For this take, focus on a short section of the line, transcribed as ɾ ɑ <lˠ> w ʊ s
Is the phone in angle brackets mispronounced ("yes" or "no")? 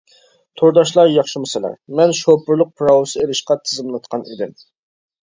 yes